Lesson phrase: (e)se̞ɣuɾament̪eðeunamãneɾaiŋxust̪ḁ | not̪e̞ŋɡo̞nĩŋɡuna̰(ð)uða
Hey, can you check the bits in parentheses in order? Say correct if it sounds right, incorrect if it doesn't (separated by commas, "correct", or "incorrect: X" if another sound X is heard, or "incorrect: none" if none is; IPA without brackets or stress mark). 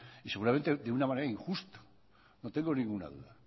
incorrect: i, correct